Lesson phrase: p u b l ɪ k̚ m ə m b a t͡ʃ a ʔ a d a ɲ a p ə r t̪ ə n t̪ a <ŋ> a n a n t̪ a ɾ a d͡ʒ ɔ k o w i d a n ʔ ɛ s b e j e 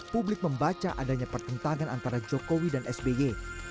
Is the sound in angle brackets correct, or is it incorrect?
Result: correct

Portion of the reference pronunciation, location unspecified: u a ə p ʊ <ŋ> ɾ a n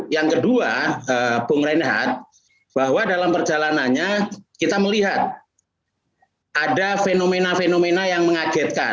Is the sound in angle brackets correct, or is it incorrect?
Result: correct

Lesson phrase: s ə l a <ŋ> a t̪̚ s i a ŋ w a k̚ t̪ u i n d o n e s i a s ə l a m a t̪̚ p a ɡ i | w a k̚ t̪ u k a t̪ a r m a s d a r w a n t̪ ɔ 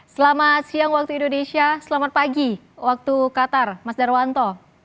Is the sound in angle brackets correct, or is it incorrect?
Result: incorrect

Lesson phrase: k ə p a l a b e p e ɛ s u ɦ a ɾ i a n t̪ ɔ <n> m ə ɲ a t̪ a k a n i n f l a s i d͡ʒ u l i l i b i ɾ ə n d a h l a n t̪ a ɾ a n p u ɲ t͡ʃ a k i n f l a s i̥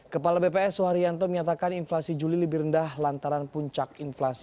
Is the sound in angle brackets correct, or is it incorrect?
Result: incorrect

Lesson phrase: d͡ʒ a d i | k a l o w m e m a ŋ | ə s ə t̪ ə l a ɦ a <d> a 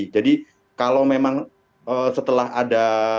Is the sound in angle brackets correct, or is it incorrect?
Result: correct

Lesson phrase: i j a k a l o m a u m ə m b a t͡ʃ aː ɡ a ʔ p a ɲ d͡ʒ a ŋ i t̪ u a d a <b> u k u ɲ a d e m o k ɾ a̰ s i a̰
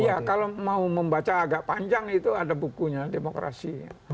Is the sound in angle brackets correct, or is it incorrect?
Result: correct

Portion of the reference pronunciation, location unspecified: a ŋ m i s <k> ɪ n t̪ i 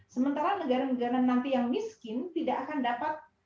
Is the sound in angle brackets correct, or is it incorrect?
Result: correct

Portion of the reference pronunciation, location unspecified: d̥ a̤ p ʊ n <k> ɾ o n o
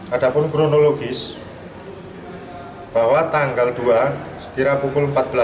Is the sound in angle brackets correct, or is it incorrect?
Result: correct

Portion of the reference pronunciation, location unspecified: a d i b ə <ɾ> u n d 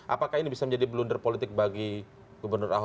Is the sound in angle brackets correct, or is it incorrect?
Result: incorrect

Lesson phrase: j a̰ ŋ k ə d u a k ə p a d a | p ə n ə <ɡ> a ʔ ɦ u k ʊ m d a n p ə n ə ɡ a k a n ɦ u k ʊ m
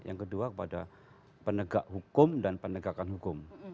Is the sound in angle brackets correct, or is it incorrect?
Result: correct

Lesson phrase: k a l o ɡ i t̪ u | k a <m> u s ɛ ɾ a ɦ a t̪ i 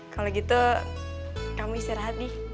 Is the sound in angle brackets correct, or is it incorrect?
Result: correct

